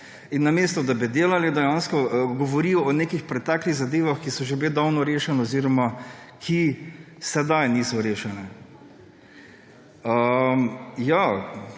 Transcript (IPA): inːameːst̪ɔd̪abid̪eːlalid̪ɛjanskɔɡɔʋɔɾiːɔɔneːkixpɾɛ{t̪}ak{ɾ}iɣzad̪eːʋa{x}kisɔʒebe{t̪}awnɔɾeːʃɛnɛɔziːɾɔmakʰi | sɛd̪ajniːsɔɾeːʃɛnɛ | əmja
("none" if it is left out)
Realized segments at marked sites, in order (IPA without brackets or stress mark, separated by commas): t̪, l, x, d̪